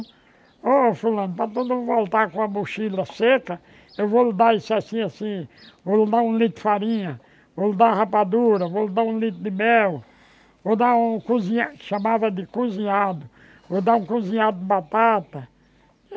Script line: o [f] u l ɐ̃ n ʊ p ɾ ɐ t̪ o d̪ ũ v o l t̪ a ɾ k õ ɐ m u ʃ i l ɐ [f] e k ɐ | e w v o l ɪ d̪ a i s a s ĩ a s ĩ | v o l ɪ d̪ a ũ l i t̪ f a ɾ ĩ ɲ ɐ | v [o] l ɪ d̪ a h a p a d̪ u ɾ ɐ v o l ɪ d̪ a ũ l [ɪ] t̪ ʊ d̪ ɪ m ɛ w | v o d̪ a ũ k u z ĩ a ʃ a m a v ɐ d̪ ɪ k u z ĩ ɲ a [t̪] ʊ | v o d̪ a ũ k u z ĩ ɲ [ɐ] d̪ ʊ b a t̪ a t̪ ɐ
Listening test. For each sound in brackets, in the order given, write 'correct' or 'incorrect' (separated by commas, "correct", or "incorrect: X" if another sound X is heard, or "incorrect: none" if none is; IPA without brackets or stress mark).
correct, incorrect: s, correct, incorrect: i, incorrect: d̪, incorrect: a